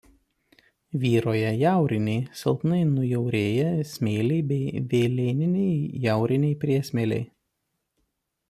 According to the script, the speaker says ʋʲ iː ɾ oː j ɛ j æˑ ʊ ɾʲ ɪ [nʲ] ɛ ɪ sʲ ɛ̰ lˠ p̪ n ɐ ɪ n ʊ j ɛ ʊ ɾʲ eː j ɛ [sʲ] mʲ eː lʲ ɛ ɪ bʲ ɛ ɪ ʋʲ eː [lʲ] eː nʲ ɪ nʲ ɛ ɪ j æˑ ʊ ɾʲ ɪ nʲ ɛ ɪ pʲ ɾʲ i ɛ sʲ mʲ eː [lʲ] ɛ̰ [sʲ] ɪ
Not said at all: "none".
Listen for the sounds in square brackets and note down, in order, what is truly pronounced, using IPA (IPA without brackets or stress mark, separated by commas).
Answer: nʲ, sʲ, lʲ, lʲ, none